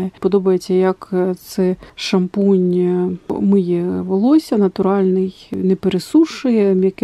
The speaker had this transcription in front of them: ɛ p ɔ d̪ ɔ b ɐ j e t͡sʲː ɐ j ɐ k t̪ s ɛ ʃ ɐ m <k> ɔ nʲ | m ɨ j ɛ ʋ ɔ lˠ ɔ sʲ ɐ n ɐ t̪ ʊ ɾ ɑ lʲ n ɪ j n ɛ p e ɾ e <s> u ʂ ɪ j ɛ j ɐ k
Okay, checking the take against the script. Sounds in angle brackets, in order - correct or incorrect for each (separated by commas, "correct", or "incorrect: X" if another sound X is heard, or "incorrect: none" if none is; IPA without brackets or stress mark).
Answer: incorrect: p, correct